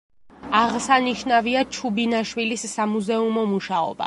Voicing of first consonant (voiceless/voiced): voiced